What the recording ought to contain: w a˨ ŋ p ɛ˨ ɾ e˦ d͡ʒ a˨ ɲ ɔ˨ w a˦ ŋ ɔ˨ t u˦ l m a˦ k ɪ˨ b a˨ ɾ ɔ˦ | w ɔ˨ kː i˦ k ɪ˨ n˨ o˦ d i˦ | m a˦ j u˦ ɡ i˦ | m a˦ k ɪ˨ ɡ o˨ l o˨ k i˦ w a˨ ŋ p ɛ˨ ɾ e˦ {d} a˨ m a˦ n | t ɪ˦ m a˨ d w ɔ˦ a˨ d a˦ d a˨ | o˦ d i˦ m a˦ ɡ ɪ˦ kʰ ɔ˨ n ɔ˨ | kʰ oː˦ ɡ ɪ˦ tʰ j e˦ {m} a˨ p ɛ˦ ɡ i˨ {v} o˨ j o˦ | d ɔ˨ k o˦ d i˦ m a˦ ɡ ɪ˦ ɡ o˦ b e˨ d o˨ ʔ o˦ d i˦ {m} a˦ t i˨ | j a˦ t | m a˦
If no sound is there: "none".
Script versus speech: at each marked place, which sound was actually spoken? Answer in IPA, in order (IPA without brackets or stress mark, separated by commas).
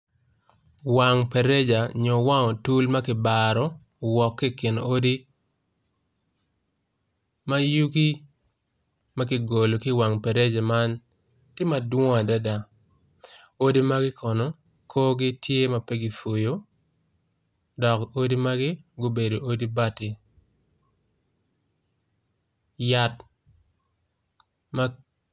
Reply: d͡ʒ, m, f, b